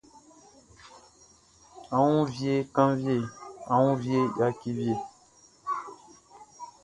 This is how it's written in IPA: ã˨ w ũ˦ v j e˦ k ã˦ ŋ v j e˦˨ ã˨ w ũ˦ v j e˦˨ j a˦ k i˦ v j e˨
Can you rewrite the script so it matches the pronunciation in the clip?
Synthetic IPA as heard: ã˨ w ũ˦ v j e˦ k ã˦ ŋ v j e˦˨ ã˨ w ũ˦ v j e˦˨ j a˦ k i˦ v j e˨